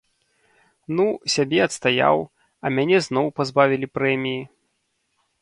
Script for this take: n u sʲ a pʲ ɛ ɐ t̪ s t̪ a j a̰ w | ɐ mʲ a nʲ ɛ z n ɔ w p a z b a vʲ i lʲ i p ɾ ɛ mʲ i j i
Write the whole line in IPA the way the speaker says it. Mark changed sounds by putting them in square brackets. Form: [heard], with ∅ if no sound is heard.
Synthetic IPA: n u sʲ a [bʲ] ɛ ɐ t̪ s t̪ a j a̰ w | ɐ mʲ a nʲ ɛ z n ɔ w p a z b a vʲ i lʲ i p ɾ ɛ mʲ i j i